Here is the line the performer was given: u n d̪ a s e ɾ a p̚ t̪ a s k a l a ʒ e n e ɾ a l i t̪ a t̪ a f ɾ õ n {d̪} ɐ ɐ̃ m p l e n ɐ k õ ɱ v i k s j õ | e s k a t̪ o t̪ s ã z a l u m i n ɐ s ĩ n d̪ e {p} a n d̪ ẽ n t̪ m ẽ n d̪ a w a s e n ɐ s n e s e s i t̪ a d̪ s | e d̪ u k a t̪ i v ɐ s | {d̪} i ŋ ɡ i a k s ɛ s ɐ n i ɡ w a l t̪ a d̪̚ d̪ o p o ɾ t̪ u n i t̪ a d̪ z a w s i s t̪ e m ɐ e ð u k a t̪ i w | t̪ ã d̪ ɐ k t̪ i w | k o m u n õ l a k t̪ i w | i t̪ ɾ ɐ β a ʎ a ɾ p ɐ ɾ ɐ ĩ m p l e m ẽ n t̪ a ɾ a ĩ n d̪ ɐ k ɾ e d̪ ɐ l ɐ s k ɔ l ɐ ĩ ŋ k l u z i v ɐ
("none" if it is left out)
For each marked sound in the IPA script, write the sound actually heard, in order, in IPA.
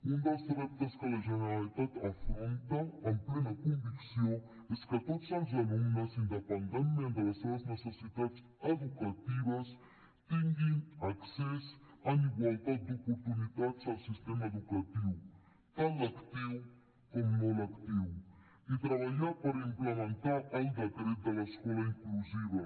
t̪, p, t̪

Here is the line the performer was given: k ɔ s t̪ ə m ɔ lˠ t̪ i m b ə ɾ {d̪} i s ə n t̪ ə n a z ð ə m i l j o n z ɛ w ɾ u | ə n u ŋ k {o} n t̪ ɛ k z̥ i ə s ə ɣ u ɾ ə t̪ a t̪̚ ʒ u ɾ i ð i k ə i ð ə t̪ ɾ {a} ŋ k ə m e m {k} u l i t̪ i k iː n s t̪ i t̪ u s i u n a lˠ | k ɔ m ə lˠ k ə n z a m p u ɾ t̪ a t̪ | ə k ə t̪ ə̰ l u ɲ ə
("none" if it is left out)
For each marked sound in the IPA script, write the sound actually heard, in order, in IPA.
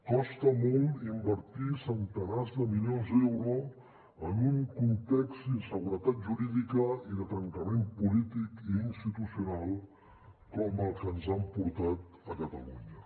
t̪, u, ə, p

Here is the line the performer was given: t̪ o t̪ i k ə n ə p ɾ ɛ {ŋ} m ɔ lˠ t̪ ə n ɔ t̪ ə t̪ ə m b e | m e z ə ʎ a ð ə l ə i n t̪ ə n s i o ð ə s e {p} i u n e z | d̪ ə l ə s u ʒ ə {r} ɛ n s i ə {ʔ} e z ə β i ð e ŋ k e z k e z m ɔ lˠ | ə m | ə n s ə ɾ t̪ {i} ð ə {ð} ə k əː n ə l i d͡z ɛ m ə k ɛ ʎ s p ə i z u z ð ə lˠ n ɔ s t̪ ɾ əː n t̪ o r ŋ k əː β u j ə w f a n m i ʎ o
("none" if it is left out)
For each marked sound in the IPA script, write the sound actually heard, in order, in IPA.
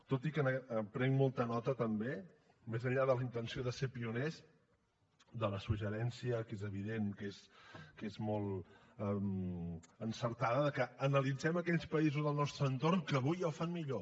ŋ, p, ɾ, k, a, ð

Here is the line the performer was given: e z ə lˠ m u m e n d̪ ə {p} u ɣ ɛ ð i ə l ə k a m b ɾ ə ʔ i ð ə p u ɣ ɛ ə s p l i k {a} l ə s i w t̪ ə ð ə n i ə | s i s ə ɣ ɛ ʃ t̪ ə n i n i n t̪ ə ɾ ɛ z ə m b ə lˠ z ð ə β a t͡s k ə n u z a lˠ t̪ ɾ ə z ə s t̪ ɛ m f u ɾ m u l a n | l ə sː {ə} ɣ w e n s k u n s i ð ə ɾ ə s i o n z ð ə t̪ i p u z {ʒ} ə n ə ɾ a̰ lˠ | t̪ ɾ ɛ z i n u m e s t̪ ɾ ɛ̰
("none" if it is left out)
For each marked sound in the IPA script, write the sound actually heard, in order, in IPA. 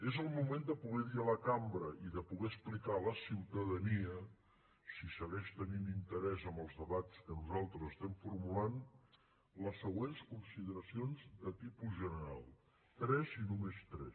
p, a, ə, ʒ

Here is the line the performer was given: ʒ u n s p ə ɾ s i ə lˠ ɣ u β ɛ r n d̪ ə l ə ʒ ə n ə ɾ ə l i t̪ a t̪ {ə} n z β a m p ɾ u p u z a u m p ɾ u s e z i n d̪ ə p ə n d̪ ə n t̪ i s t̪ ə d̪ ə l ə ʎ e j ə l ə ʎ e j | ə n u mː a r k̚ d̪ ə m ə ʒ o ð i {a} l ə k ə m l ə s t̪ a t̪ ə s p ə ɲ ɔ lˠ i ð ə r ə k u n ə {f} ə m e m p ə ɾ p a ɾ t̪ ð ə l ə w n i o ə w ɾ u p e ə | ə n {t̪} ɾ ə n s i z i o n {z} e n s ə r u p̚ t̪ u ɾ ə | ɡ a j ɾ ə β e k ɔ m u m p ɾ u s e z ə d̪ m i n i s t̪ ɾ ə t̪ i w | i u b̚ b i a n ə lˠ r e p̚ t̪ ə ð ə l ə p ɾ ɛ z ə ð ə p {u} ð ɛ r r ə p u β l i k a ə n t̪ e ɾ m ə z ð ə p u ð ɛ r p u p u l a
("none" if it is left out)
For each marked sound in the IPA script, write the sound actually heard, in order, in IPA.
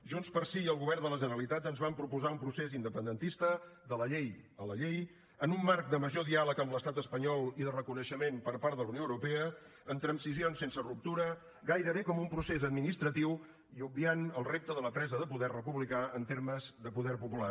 ə, a, ʃ, t̪, s, u

